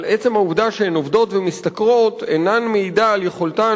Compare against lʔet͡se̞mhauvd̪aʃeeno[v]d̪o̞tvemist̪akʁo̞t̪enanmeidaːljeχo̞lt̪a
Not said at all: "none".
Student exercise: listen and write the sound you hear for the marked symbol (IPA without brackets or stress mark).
v